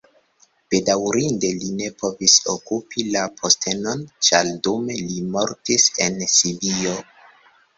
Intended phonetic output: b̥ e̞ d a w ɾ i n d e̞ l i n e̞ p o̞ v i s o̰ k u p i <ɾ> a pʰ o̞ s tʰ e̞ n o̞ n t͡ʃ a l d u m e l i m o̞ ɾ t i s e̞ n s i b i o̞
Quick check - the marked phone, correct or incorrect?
incorrect